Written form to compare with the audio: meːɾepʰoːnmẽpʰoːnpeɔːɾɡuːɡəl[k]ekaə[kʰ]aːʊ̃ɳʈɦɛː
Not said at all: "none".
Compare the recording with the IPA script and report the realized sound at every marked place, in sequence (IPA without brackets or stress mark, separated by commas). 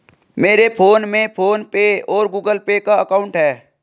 p, k